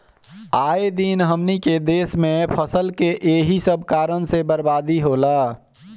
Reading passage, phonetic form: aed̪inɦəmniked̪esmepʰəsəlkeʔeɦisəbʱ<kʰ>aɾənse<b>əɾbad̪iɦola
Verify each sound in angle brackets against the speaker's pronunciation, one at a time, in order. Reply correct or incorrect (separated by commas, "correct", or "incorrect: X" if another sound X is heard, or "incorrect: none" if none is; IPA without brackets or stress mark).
incorrect: k, correct